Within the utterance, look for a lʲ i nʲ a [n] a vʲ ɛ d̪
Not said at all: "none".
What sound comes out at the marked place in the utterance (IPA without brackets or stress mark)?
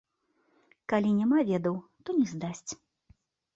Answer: m